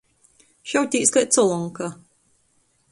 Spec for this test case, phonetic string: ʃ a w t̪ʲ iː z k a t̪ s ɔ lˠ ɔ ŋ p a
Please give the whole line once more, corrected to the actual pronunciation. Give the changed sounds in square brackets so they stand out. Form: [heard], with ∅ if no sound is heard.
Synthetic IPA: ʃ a w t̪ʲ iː [s] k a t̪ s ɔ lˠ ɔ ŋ [k] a